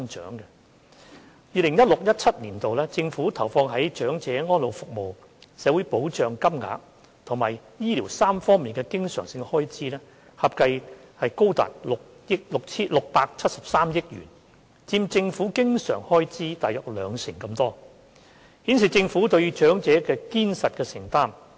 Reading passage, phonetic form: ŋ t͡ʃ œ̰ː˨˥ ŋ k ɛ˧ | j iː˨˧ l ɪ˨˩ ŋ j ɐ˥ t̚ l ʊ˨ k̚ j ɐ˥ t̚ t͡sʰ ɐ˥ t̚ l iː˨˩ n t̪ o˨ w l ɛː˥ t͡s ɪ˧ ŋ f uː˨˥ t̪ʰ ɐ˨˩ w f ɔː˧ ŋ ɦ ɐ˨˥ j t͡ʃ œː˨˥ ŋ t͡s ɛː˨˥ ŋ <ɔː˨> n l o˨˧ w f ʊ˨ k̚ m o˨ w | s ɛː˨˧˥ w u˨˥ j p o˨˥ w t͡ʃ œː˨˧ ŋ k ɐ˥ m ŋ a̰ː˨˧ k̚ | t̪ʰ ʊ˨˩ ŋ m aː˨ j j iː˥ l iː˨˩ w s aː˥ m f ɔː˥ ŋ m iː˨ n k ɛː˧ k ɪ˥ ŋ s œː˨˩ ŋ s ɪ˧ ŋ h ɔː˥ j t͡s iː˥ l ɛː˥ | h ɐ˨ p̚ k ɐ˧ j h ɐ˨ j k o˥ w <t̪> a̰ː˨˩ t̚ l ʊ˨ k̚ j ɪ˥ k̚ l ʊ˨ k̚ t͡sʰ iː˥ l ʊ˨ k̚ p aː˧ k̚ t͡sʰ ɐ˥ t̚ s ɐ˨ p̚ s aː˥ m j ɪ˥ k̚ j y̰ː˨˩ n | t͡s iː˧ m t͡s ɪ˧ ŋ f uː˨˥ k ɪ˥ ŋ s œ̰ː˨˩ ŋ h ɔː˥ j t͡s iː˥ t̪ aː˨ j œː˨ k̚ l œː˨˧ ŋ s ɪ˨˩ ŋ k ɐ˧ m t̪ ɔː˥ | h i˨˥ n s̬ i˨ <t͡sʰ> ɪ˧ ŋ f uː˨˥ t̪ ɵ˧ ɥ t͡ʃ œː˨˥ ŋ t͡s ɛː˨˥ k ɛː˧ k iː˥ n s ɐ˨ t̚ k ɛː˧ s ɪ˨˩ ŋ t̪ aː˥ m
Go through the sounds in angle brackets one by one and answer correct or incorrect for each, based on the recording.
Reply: incorrect, correct, incorrect

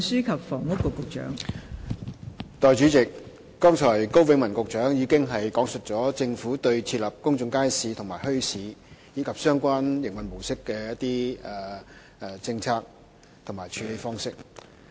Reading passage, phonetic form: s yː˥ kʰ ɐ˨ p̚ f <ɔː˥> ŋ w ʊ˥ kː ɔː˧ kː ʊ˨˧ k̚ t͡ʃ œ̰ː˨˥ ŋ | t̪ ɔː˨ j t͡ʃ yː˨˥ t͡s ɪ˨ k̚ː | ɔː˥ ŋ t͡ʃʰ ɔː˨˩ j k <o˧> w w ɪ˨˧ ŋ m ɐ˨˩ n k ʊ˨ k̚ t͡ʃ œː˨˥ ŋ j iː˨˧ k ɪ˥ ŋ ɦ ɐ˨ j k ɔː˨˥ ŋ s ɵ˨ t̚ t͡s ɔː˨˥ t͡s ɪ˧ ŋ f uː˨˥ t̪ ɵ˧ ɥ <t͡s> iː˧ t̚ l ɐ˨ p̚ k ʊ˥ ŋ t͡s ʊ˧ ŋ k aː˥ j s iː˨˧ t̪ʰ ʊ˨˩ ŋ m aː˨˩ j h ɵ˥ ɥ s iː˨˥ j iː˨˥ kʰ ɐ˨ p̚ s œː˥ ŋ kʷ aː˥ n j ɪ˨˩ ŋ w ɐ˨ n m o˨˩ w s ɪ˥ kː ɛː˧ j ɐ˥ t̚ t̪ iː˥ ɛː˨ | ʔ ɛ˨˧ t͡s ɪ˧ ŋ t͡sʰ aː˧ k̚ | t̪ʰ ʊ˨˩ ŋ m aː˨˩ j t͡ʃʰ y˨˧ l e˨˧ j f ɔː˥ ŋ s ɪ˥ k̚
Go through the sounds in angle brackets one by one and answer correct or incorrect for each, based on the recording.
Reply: incorrect, incorrect, incorrect

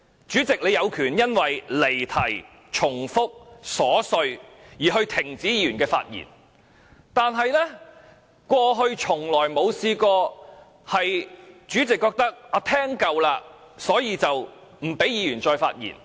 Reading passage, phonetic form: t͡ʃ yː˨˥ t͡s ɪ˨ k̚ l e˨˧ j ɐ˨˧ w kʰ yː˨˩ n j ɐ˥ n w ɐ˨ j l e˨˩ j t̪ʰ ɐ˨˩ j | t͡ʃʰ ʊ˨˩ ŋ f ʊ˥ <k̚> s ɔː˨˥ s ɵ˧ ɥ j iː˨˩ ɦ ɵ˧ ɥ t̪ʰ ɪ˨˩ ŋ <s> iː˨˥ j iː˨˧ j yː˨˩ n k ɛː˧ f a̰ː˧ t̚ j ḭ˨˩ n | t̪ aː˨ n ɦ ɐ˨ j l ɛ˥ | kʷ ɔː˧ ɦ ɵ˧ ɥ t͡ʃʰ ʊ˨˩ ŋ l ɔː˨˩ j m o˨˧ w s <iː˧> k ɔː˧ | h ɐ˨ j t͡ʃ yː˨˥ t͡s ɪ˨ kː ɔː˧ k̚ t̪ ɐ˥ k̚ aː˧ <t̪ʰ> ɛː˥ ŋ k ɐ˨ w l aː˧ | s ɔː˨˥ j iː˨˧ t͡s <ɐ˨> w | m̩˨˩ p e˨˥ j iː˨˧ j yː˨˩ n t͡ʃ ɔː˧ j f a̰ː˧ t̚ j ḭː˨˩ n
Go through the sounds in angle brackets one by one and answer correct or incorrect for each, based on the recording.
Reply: correct, incorrect, correct, correct, correct

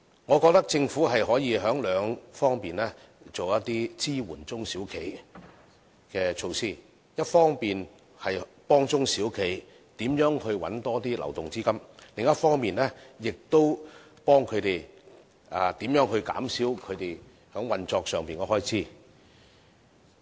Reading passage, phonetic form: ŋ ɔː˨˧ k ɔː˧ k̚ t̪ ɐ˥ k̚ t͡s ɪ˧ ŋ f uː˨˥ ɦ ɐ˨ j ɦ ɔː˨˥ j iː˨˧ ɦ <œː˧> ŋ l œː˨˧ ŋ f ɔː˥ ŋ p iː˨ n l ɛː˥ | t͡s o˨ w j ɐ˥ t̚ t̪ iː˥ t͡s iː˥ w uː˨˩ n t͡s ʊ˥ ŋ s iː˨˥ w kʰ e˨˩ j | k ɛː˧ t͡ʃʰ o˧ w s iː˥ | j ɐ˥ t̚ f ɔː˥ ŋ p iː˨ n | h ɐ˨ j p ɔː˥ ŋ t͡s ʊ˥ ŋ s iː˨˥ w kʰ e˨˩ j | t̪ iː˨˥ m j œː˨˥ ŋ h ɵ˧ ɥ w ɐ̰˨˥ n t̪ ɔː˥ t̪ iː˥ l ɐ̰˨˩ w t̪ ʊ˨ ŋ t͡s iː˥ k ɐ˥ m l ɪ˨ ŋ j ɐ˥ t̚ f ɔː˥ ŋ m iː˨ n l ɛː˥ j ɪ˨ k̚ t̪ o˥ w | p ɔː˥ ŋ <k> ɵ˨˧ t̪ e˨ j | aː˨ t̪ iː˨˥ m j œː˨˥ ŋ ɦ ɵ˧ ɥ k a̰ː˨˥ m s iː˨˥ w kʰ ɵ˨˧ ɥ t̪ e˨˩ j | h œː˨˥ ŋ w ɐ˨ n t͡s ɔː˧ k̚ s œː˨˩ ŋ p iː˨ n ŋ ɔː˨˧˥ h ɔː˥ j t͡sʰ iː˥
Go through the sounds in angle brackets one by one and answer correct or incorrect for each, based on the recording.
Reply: incorrect, incorrect

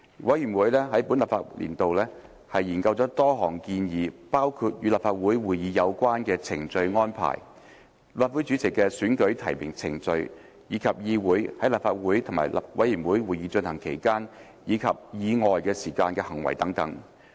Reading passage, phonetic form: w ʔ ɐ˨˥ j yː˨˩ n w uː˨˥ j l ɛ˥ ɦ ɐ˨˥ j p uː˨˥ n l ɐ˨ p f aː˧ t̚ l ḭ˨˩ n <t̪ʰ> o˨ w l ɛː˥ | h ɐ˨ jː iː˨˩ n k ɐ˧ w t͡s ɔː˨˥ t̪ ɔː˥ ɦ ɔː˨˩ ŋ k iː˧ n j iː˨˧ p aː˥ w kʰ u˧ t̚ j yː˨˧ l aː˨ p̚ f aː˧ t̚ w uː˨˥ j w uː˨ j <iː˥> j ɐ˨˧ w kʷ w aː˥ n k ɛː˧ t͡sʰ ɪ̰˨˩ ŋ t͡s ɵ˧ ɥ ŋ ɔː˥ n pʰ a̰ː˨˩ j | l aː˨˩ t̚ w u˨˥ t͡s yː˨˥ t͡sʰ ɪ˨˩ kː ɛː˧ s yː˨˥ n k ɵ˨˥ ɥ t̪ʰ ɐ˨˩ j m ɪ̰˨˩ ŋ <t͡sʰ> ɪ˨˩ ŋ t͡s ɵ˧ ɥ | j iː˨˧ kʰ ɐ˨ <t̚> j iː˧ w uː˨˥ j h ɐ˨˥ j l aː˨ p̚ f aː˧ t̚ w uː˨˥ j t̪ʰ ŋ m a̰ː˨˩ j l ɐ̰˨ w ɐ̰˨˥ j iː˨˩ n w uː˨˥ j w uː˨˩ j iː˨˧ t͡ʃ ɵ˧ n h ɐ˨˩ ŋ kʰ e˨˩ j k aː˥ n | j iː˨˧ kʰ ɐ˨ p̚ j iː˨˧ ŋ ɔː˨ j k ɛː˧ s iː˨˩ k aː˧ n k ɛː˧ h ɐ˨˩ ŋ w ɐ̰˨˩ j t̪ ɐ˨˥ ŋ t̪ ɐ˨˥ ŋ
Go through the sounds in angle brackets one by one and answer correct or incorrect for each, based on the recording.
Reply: incorrect, incorrect, correct, incorrect

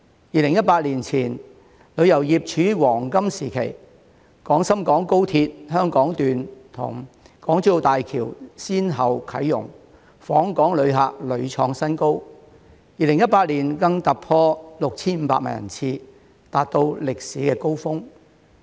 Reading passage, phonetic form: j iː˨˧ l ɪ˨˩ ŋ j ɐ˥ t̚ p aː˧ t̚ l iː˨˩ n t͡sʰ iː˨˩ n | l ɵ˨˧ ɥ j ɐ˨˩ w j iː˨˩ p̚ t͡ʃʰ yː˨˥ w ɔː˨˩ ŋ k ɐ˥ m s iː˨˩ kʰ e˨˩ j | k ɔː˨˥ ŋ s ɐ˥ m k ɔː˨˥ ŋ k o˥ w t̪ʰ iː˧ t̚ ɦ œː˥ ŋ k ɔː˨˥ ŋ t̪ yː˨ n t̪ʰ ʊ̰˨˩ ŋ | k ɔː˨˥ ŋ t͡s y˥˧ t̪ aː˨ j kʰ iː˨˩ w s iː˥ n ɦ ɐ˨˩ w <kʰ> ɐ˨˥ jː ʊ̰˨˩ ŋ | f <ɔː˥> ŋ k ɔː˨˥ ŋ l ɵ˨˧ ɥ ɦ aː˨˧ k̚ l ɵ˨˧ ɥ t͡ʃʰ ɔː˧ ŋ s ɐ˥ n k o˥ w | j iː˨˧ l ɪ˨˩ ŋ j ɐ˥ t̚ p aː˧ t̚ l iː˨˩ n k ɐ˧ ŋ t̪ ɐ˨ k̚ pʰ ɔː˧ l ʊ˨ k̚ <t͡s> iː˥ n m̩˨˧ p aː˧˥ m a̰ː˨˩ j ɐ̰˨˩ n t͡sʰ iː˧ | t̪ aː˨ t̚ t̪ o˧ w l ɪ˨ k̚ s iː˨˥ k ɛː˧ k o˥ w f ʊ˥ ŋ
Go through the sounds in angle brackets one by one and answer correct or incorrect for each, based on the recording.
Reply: correct, incorrect, incorrect

